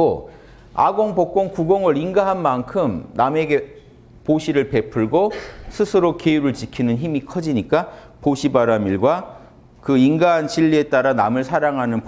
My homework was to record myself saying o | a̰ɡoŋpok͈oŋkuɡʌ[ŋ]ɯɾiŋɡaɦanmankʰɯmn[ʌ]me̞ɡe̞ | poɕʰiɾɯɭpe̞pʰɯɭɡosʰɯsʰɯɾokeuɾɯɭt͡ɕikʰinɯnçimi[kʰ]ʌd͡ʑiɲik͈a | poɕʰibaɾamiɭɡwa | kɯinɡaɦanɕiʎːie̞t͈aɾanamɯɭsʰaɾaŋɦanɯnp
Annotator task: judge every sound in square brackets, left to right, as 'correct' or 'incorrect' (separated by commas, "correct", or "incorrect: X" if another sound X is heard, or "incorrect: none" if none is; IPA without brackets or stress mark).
correct, incorrect: a, correct